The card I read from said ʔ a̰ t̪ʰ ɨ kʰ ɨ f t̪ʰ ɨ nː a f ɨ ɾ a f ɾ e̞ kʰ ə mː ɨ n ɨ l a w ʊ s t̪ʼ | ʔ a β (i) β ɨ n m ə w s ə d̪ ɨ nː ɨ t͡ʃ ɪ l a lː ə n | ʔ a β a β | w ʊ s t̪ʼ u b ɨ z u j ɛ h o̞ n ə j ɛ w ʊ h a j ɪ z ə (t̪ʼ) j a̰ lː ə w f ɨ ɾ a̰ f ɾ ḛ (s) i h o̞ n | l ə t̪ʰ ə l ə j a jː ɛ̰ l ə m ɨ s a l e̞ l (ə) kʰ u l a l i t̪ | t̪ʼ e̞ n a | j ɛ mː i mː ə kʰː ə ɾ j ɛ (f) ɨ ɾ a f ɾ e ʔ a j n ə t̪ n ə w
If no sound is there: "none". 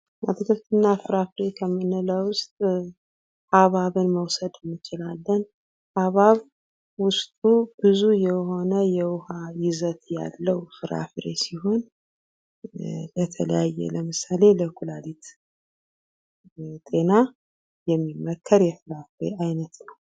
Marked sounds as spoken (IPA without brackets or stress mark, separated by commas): a, t̪, s, ə, f